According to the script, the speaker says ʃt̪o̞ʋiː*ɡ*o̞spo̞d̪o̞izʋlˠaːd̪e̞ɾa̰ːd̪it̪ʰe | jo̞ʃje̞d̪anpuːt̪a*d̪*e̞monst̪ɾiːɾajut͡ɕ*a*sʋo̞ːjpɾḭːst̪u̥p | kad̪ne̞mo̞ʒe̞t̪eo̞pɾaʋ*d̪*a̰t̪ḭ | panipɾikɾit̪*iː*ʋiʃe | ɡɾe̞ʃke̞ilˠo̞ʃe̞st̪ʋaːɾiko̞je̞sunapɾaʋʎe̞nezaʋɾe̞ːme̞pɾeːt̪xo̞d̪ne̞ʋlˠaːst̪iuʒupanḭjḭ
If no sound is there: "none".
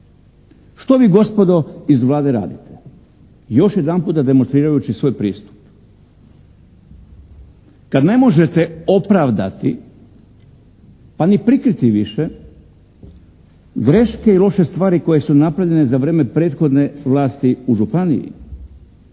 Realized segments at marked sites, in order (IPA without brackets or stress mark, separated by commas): ɡ, d̪, i, d̪, i